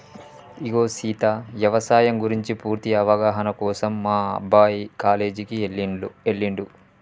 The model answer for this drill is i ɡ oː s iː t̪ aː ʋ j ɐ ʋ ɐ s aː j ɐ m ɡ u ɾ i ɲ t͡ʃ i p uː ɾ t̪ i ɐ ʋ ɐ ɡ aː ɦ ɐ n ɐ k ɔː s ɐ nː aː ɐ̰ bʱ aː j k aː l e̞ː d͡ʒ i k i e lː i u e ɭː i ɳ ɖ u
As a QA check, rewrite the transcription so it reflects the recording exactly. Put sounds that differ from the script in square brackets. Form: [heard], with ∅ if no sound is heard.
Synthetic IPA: i ɡ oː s iː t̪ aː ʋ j ɐ ʋ ɐ s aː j ɐ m ɡ u ɾ i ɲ t͡ʃ i p uː ɾ t̪ i ɐ ʋ ɐ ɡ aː ɦ ɐ n ɐ k ɔː s ɐ [mː] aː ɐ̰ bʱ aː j k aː l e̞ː d͡ʒ i k i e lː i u e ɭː i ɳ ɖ u